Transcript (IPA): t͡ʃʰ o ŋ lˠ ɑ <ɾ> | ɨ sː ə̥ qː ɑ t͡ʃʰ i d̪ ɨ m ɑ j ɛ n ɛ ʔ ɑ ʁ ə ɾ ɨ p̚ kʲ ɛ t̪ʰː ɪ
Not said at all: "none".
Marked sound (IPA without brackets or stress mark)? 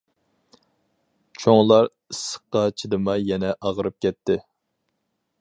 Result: ɾ